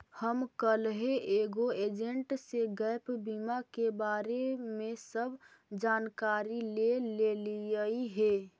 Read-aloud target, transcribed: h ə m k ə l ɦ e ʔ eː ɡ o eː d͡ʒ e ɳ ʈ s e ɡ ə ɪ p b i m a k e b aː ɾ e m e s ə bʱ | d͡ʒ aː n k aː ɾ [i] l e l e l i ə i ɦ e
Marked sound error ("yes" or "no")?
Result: no